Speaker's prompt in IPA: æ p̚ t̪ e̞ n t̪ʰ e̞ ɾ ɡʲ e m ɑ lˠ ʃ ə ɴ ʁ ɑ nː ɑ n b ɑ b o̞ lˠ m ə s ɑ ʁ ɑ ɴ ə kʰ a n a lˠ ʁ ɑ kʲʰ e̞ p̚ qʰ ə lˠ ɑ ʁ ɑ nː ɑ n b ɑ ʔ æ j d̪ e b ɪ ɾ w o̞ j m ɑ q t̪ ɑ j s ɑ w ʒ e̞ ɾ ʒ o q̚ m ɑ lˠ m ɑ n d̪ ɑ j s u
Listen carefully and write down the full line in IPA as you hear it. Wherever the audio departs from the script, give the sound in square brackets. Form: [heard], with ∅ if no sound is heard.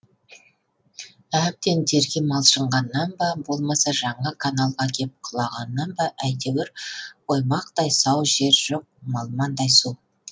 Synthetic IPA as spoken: æ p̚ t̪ e̞ n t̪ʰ e̞ ɾ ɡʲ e m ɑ lˠ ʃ ə ɴ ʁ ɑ nː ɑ n b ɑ b o̞ lˠ m [ɑ] s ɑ [ʒ] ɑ ɴ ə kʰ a n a lˠ ʁ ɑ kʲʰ e̞ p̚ qʰ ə lˠ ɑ ʁ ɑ nː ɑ n b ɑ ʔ æ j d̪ e [w] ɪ ɾ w o̞ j m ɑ q t̪ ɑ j s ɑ w ʒ e̞ ɾ ʒ o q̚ m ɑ lˠ m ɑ n d̪ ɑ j s u